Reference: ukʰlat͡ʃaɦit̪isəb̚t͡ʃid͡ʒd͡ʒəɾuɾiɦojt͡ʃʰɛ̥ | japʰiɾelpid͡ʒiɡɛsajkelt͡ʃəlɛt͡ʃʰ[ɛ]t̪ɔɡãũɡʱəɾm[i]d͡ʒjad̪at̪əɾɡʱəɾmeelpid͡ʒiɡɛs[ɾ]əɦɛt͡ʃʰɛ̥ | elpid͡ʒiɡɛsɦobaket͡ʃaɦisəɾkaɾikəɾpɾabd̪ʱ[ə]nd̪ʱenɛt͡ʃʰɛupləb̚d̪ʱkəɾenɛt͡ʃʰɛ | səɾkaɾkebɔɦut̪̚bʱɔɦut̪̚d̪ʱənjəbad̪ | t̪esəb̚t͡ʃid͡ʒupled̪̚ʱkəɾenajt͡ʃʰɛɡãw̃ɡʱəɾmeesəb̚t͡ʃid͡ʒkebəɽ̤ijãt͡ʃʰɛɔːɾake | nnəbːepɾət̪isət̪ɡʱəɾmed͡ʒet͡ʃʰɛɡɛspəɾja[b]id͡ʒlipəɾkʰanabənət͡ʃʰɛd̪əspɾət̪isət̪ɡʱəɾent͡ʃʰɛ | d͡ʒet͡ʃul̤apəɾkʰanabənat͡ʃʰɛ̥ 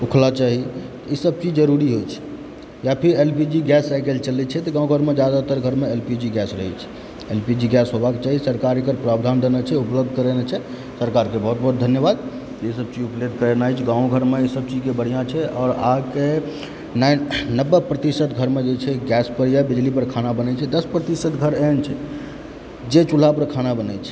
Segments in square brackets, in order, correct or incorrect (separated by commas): correct, incorrect, correct, incorrect, correct